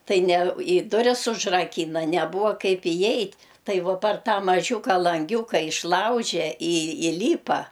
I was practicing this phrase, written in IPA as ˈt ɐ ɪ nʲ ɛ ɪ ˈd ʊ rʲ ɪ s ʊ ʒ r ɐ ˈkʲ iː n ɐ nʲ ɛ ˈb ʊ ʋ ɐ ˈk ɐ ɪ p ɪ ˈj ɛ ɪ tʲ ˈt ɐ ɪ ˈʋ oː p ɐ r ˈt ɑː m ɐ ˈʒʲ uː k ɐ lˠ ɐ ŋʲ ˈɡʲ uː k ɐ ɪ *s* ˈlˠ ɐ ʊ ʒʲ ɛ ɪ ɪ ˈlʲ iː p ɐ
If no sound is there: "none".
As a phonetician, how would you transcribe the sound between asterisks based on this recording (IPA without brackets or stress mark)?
ʃ